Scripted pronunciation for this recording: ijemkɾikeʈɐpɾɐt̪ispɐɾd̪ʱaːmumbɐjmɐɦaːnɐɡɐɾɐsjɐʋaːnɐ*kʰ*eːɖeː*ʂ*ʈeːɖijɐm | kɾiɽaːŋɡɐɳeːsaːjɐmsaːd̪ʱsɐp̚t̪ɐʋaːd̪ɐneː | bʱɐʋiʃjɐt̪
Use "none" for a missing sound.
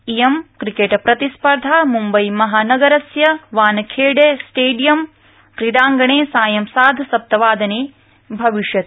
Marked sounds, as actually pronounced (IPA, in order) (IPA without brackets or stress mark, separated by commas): kʰ, s